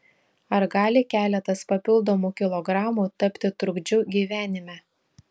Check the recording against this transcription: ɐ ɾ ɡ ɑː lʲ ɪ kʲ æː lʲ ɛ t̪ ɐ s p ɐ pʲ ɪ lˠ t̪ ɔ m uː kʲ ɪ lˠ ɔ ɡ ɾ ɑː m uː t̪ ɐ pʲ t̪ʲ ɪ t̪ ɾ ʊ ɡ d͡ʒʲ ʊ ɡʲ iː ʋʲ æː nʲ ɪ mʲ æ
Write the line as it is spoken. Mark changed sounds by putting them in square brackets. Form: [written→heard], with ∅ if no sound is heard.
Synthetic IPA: ɐ ɾ ɡ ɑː lʲ ɪ kʲ æː lʲ ɛ t̪ ɐ s p ɐ pʲ ɪ lˠ [t̪→d̪] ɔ m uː kʲ ɪ lˠ ɔ ɡ ɾ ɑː m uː t̪ ɐ pʲ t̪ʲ ɪ t̪ ɾ ʊ ɡ d͡ʒʲ ʊ ɡʲ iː ʋʲ æː nʲ ɪ mʲ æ